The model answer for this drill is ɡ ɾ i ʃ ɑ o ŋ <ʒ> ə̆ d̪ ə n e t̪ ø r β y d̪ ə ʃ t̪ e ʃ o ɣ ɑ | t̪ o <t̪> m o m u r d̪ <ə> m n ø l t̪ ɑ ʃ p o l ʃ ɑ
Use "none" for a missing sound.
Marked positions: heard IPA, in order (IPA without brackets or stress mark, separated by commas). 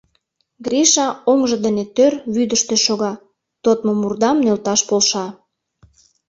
ʒ, t̪, ɑ